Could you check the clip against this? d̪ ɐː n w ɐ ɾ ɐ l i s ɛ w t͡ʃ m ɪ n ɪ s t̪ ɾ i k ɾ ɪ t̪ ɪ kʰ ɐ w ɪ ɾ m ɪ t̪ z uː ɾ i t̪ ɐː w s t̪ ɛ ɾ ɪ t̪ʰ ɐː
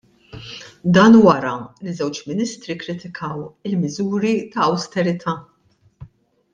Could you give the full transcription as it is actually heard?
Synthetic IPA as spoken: d̪ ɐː n w ɐ ɾ ɐ l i z ɛ w t͡ʃ m ɪ n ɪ s t̪ ɾ i k ɾ ɪ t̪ ɪ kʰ ɐ w ɪ l m ɪ z uː ɾ i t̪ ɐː w s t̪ ɛ ɾ ɪ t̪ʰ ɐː

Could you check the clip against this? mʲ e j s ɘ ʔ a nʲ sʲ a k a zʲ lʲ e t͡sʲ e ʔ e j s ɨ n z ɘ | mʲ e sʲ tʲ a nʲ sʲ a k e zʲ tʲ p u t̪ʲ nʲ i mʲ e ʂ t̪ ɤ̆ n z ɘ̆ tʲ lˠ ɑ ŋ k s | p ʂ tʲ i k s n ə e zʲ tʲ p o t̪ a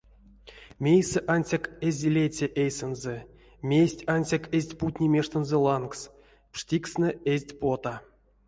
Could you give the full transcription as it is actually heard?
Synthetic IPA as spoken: mʲ e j s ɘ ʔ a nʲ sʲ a k e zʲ lʲ e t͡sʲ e ʔ e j s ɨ n z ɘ | mʲ e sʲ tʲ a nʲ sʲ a k e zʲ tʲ p u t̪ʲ nʲ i mʲ e ʂ t̪ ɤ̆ n z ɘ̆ lˠ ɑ n k s | p ʂ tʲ i k s n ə e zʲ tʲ p o t̪ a

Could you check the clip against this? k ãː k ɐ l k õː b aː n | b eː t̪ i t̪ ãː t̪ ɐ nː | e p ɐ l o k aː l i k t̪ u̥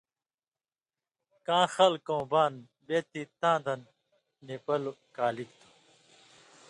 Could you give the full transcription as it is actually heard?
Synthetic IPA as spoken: k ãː x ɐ l k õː b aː n | b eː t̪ i t̪ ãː d̪ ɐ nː | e p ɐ l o k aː l i k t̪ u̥

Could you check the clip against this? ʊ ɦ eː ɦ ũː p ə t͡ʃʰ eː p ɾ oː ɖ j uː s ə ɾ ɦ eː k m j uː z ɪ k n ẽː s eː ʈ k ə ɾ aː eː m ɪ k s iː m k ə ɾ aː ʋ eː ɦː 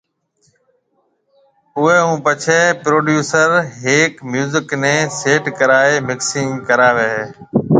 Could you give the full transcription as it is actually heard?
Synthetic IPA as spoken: ʊ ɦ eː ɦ ũː p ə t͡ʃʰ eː p ɾ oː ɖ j uː s ə ɾ ɦ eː k m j uː z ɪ k n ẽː s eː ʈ k ə ɾ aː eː m ɪ k s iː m k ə ɾ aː ʋ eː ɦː

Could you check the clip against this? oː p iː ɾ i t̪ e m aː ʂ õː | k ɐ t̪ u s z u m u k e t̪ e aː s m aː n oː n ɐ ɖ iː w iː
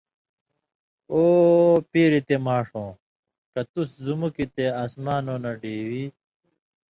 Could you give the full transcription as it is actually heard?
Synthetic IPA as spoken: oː p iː ɾ i t̪ e m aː ʂ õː | k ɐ t̪ u s z u m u k i t̪ e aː s m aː n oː n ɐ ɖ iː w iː

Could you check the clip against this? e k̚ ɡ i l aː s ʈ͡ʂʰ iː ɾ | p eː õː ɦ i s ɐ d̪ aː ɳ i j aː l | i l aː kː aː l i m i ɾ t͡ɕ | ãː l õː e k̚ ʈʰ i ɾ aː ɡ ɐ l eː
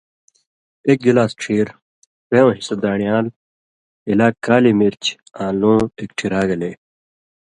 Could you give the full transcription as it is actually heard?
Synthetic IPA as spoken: e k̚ ɡ i l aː s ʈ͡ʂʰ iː ɾ | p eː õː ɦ i s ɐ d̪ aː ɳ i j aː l | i l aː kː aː l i m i ɾ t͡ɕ | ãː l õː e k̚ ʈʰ i ɾ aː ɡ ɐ l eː

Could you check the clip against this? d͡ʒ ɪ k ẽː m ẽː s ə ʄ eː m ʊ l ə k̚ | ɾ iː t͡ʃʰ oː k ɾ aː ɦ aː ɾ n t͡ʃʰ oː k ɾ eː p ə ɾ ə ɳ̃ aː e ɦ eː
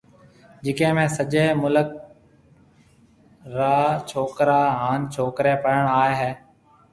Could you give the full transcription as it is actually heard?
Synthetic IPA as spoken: d͡ʒ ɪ k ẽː m ẽː s ə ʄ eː m ʊ l ə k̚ | ɾ aː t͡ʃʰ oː k ɾ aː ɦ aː n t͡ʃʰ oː k ɾ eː p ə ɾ ə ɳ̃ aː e ɦ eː

